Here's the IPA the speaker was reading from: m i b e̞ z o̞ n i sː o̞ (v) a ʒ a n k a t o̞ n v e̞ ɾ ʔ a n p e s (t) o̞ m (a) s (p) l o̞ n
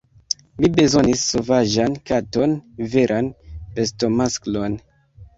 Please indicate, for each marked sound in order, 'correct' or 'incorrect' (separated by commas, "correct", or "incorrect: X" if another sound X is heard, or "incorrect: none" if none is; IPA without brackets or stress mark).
correct, correct, correct, incorrect: k